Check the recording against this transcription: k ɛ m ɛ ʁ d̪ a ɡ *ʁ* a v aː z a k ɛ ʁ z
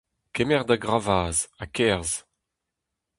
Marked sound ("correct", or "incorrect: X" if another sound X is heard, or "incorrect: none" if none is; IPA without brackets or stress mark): correct